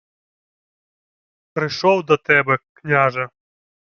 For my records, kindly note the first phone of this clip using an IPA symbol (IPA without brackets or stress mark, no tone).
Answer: p